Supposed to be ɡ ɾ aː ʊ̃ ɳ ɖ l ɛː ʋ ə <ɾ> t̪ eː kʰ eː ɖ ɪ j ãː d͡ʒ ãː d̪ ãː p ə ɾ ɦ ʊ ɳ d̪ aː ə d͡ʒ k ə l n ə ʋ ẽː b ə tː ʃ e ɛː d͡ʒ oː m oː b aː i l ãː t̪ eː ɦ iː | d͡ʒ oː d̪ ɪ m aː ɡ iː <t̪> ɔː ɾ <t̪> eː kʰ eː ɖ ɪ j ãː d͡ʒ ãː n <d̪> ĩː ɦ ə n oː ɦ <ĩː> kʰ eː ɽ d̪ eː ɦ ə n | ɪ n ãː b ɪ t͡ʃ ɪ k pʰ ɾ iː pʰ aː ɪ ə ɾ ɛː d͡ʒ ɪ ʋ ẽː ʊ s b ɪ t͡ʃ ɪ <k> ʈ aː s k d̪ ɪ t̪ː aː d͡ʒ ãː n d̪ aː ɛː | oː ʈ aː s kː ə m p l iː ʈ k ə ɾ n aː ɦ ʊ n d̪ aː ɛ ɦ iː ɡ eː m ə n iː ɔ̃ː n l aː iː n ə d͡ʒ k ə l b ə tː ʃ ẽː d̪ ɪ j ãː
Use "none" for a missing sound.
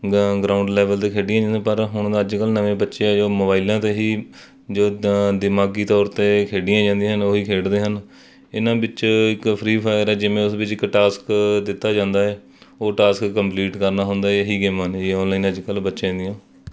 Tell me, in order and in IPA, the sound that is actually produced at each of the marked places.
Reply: l, t̪, t̪, d̪, iː, k

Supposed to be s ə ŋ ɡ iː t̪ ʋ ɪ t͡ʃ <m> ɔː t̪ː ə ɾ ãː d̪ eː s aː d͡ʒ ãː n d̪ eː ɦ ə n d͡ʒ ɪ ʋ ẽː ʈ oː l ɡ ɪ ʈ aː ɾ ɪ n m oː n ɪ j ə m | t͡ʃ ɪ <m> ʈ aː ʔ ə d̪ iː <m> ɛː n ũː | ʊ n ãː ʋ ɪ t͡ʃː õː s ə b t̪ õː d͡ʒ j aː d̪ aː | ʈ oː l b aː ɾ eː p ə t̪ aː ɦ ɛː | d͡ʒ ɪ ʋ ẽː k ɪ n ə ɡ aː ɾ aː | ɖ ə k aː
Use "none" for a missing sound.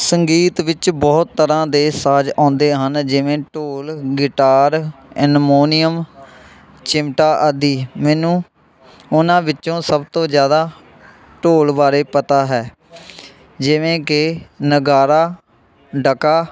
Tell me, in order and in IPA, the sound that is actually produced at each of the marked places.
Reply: b, m, m

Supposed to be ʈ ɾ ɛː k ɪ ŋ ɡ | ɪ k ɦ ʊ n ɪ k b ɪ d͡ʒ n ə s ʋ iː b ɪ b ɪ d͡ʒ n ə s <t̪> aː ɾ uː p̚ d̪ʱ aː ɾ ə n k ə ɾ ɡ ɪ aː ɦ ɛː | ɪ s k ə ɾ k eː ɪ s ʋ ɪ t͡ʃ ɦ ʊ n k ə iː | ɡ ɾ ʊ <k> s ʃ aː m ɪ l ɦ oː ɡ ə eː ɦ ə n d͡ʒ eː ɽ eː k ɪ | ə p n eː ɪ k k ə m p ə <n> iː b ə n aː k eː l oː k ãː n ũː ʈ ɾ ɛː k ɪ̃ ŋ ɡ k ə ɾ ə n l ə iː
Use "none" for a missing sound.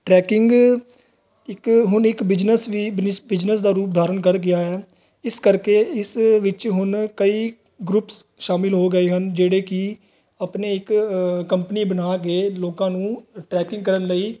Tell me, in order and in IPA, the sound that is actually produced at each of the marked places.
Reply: d̪, p, n

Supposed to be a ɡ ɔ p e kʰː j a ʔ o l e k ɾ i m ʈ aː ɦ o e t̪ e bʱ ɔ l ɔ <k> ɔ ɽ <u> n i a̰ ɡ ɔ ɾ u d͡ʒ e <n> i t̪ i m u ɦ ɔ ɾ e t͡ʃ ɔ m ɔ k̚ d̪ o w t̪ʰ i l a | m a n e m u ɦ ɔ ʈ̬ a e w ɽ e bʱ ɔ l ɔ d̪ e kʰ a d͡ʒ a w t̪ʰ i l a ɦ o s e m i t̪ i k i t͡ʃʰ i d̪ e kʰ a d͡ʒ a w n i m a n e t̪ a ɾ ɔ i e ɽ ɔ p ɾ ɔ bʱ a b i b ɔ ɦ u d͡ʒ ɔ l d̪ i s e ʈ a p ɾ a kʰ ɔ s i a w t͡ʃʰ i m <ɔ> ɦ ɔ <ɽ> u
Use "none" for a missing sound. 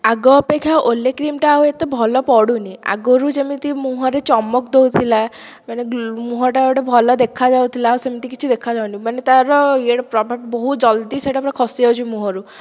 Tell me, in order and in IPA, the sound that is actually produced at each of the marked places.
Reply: p, u, m, u, ɾ

